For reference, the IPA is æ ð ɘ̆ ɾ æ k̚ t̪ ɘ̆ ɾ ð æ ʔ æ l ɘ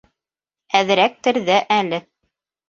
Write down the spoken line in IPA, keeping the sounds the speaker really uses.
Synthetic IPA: æ ð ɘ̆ ɾ æ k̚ t̪ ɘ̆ ɾ ð æ ʔ æ l ɘ

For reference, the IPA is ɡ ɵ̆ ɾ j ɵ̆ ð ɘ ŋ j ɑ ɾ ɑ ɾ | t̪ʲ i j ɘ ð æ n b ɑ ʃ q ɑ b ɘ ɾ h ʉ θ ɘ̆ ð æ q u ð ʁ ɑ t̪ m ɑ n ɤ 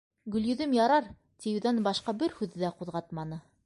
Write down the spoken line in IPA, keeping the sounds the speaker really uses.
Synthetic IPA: ɡ ɵ̆ l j ɵ̆ ð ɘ m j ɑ ɾ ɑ ɾ | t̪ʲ i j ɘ ð æ n b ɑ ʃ q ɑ b ɘ ɾ h ʉ ð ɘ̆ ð æ q u ð ʁ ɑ t̪ m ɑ n ɤ

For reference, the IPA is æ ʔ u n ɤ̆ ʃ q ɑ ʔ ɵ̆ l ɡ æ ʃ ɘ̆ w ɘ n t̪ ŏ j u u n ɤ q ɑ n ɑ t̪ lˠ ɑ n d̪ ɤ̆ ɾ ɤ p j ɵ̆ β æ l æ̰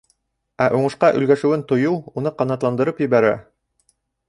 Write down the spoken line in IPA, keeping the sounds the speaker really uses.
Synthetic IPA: æ ʔ u ɴ ɤ̆ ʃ q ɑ ʔ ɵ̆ l ɡ æ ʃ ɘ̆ w ɘ n t̪ ŏ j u u n ɤ q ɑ n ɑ t̪ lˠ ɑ n d̪ ɤ̆ ɾ ɤ p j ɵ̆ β æ ɾ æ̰

